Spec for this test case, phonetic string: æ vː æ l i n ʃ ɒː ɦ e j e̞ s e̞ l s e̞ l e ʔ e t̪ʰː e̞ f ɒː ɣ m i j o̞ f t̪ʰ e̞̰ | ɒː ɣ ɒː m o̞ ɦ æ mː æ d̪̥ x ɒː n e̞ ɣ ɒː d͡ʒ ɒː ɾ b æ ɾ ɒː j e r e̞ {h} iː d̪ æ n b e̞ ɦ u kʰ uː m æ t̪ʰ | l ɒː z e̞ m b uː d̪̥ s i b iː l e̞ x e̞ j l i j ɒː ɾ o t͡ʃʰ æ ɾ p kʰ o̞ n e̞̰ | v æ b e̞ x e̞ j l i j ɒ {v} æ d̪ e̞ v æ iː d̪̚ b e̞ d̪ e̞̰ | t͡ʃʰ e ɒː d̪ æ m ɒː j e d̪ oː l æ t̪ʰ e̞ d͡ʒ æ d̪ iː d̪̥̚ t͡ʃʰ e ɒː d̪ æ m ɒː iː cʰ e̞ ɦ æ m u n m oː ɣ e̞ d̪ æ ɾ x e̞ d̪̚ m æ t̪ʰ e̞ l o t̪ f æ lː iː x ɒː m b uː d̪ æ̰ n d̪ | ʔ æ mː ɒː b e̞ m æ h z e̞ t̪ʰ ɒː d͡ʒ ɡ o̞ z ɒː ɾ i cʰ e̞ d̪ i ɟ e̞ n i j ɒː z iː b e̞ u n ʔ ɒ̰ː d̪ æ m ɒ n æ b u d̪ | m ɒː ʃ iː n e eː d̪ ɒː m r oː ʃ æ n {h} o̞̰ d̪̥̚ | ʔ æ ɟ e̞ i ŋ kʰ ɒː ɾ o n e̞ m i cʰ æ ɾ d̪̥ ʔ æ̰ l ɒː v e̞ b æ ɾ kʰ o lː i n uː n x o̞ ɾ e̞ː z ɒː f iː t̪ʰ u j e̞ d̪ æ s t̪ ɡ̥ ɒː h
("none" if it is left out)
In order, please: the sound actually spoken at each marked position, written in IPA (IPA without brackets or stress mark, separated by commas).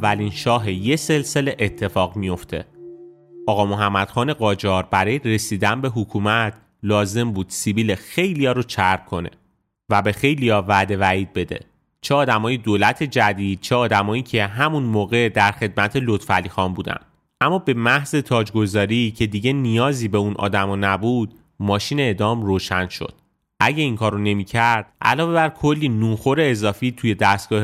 s, v, ʃ